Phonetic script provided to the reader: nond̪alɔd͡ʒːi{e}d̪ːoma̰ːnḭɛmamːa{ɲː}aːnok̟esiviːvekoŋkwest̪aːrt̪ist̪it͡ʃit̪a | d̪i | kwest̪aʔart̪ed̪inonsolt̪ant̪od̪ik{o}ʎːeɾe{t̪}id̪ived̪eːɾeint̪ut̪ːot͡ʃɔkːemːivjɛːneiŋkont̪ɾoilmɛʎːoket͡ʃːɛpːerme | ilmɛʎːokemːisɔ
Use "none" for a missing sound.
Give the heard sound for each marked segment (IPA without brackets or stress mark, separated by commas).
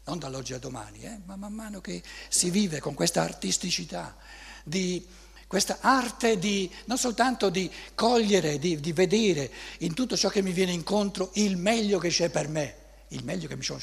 a, mː, ɔ, d̪